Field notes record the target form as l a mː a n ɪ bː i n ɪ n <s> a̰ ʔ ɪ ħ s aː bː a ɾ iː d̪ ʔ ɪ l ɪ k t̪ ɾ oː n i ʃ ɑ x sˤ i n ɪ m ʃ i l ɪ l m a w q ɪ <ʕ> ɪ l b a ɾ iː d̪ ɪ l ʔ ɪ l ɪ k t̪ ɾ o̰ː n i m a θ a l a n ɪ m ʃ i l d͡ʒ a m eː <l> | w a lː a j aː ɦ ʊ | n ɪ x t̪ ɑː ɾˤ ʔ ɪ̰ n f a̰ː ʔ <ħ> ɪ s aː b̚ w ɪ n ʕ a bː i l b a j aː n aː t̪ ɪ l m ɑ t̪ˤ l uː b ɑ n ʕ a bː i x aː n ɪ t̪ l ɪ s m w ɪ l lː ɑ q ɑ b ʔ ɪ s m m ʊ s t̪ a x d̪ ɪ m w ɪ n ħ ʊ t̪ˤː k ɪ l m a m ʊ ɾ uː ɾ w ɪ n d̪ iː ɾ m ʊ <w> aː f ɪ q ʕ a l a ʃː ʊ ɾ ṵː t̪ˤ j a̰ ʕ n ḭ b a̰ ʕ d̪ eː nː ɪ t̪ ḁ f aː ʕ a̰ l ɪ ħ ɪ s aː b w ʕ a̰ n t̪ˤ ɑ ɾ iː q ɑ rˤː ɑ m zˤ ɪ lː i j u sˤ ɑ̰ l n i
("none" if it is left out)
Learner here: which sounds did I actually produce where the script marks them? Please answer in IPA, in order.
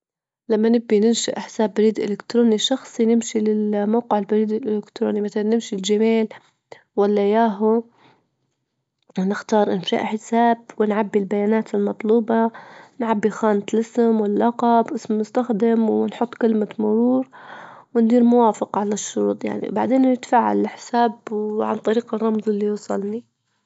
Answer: ʃ, ʕ, l, ħ, w

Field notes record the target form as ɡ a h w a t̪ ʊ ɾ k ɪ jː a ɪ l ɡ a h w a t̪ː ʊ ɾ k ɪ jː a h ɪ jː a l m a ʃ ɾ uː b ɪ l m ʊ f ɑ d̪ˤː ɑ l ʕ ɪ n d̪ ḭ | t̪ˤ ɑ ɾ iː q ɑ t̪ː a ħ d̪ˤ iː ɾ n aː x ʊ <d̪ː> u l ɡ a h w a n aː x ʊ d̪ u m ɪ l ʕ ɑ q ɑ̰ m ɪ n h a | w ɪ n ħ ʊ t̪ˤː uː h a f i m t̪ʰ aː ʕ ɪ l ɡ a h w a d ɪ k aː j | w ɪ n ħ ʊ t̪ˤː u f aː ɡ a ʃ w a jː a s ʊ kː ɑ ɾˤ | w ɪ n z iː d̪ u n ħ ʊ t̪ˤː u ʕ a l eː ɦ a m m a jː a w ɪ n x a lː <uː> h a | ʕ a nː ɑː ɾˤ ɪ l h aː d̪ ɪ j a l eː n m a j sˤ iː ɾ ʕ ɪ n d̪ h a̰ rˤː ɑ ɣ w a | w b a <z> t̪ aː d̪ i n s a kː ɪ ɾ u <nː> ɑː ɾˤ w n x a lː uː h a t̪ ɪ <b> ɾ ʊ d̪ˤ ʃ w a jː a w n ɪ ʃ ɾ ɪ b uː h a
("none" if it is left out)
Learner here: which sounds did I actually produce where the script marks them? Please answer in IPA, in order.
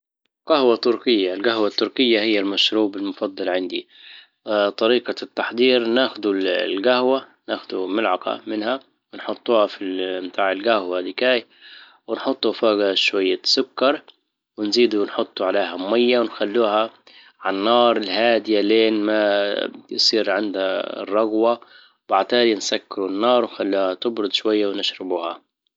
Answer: d̪, uː, ʕ, nː, b

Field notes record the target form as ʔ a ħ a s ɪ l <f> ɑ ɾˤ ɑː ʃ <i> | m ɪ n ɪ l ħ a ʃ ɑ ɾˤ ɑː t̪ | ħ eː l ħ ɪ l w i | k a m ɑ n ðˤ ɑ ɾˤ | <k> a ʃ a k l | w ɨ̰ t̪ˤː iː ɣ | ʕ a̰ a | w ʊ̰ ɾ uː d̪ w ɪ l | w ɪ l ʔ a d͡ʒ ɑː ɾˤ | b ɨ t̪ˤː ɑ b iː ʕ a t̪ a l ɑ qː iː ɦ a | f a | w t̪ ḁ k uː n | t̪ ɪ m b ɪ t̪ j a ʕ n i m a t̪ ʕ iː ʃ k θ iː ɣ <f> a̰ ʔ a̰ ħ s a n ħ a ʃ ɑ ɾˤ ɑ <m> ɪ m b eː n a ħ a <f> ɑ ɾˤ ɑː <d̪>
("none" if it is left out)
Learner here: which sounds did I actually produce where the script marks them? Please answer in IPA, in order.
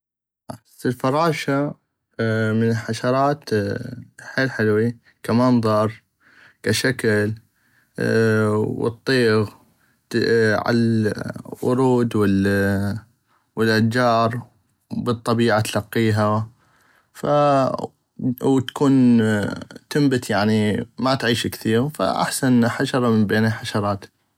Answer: f, a, k, f, m, ʃ, t̪

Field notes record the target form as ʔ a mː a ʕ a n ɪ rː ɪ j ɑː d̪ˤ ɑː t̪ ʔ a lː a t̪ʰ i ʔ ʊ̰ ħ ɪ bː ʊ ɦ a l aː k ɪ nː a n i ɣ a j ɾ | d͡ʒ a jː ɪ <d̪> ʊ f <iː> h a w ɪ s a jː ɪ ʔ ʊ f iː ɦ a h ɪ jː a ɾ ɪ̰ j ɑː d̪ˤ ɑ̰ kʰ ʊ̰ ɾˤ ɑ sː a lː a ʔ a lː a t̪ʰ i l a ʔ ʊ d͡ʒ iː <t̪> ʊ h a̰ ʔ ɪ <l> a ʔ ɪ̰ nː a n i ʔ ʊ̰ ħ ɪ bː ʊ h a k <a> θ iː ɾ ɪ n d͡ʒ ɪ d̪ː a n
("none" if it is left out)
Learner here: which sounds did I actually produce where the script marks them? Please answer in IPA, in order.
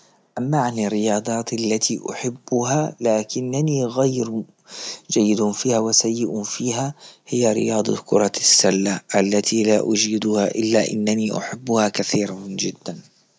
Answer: d̪, iː, d̪, lː, a

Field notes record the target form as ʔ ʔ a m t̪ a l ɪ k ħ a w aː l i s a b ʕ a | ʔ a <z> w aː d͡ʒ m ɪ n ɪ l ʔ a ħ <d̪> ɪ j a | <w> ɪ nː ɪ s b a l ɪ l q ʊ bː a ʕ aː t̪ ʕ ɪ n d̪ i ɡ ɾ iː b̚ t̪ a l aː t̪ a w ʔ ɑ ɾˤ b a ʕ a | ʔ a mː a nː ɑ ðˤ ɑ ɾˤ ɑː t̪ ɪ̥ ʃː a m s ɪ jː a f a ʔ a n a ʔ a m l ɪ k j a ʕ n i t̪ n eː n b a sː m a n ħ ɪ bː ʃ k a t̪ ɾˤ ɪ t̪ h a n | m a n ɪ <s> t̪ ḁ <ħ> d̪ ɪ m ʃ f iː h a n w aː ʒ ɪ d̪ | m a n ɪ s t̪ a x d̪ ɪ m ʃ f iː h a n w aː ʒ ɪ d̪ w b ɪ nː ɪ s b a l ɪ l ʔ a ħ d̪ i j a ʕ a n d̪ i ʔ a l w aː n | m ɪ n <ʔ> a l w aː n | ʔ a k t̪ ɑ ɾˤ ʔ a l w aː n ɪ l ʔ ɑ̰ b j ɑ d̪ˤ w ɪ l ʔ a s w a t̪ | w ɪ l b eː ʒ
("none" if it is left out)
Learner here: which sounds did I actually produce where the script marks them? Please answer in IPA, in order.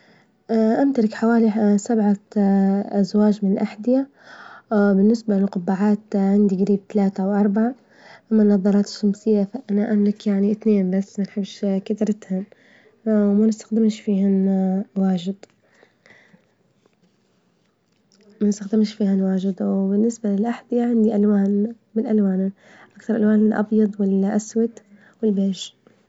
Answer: z, d̪, b, s, x, ʔ

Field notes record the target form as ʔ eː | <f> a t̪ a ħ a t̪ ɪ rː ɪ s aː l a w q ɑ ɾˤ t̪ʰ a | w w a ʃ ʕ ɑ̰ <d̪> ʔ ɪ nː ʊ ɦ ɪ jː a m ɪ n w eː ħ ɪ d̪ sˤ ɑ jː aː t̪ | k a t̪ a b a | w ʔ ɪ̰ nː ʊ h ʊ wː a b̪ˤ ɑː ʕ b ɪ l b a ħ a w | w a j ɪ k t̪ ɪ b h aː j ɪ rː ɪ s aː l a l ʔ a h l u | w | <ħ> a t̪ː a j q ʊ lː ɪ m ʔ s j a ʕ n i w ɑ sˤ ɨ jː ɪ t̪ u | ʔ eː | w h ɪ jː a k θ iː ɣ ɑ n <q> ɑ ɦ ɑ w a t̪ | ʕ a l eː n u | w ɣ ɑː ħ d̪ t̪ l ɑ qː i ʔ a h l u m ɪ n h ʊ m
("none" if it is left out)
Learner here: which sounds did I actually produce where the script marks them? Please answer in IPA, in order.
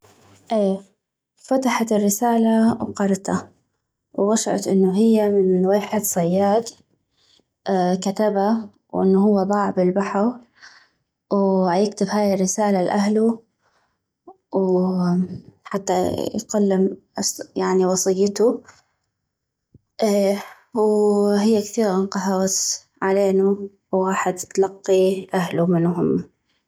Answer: f, t̪, ħ, q

